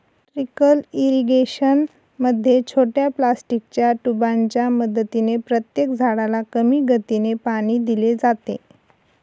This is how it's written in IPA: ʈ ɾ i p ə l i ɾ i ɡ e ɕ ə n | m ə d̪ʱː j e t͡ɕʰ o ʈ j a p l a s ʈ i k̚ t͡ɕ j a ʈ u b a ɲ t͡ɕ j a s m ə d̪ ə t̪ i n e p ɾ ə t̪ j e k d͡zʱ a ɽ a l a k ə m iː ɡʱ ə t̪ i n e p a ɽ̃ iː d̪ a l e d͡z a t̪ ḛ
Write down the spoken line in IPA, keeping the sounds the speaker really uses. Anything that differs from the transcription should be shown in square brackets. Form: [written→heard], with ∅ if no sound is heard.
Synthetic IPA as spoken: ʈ ɾ i [p→k] ə l i ɾ i ɡ e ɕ ə n | m ə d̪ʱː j e t͡ɕʰ o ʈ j a p l a s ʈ i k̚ t͡ɕ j a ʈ u b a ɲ t͡ɕ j a [s→∅] m ə d̪ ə t̪ i n e p ɾ ə t̪ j e k d͡zʱ a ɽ a l a k ə m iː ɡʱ ə t̪ i n e p a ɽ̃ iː d̪ [a→i] l e d͡z a t̪ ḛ